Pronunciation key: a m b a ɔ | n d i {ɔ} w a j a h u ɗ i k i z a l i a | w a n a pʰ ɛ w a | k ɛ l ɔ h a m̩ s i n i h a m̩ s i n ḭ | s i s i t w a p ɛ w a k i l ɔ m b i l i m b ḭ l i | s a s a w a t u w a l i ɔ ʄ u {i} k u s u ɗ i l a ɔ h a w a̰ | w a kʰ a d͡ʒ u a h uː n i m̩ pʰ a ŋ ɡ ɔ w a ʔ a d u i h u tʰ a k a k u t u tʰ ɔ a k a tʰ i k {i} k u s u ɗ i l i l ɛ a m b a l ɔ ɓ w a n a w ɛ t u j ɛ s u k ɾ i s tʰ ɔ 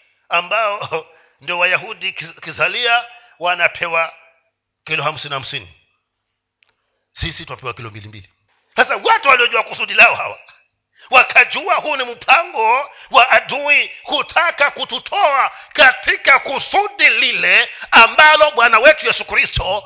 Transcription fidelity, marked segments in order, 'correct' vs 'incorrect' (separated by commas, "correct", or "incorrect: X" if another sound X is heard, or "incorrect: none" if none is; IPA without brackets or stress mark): correct, incorrect: a, incorrect: a